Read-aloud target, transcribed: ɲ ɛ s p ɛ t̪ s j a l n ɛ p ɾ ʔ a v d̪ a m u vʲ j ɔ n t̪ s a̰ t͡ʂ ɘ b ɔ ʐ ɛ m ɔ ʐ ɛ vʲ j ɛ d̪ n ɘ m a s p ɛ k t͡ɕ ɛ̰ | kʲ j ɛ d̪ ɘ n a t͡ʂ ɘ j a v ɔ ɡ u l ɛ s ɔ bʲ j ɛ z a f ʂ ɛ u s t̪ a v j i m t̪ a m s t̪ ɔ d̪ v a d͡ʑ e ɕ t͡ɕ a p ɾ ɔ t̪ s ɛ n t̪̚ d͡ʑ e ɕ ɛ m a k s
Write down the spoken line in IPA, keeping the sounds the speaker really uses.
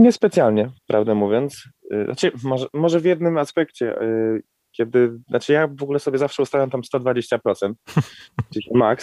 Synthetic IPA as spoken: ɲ ɛ s p ɛ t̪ s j a l ɲ ɛ p ɾ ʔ a v d̪ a m u vʲ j ɔ n t̪ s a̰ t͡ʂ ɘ m ɔ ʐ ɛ m ɔ ʐ ɛ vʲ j ɛ d̪ n ɘ m a s p ɛ k t͡ɕ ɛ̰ | kʲ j ɛ d̪ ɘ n a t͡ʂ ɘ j a v ɔ ɡ u l ɛ s ɔ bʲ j ɛ z a f ʂ ɛ u s t̪ a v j a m t̪ a m s t̪ ɔ d̪ v a d͡ʑ e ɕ t͡ɕ a p ɾ ɔ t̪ s ɛ n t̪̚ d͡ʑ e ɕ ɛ m a k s